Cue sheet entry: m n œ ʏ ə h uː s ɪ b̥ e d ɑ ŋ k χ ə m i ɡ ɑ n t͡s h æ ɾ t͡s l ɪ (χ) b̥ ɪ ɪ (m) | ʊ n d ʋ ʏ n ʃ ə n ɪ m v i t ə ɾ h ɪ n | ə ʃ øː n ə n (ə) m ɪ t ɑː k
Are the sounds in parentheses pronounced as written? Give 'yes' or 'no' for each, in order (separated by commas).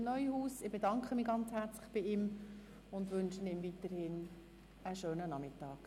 yes, yes, no